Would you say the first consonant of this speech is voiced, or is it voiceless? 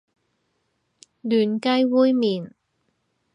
voiced